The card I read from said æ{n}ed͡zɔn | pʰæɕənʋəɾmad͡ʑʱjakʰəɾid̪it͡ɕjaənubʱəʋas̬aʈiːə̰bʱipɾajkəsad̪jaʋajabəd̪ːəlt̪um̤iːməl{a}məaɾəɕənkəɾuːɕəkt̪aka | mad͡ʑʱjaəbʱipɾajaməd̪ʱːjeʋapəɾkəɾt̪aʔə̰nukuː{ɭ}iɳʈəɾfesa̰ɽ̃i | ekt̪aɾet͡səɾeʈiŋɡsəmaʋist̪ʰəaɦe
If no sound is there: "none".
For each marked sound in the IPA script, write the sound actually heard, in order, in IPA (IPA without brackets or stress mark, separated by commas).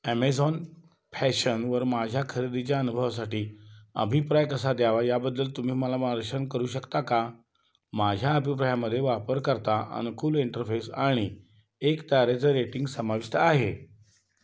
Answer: m, a, l